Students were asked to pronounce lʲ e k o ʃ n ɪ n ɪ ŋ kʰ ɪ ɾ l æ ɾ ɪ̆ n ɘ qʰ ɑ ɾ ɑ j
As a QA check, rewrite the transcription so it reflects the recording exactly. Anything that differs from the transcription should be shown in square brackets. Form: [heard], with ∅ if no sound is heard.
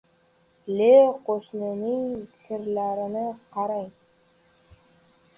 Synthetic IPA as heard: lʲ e [q] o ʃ n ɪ n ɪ ŋ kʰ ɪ ɾ l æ ɾ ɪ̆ n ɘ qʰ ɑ ɾ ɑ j